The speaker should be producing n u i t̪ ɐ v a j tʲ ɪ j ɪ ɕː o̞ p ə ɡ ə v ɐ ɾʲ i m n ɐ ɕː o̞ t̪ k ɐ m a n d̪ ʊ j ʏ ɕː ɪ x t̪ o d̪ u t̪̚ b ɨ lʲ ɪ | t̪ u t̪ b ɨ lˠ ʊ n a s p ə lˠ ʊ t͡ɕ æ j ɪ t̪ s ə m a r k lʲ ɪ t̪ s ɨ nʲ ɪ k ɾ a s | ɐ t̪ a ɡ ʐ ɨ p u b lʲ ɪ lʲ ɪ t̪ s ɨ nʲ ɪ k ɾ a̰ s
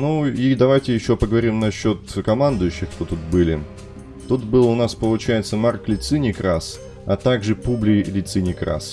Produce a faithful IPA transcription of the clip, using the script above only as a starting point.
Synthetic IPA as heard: n u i d̪ ɐ v a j tʲ ɪ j ɪ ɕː o̞ p ə ɡ ə v ɐ ɾʲ i m n ɐ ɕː o̞ t̪ k ɐ m a n d̪ ʊ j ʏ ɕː ɪ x t̪ o t̪ u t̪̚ b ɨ lʲ ɪ | t̪ u t̪ b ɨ lˠ ʊ n a s p ə lˠ ʊ t͡ɕ æ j ɪ t̪ s ə m a r k lʲ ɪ t̪ s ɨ nʲ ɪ k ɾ a s | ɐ t̪ a ɡ ʐ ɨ p u b lʲ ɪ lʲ ɪ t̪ s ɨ nʲ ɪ k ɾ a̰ s